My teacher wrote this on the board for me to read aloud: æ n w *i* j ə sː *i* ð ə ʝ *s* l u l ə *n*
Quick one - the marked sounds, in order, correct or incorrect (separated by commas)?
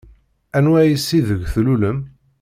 incorrect, correct, incorrect, incorrect